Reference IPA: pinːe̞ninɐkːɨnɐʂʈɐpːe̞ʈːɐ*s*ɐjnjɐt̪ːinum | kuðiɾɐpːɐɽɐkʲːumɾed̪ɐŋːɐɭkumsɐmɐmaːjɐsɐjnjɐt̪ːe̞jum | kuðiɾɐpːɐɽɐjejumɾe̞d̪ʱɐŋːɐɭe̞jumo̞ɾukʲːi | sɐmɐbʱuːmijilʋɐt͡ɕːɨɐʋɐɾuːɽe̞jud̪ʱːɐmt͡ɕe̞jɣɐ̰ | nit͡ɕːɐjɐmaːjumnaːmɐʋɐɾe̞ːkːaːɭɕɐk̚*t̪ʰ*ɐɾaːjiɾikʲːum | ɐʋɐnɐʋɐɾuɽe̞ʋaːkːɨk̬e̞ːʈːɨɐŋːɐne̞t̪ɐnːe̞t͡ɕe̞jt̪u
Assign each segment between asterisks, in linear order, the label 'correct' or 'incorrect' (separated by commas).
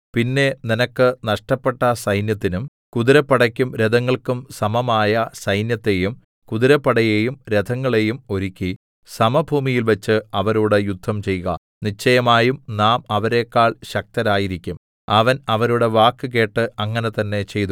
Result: correct, incorrect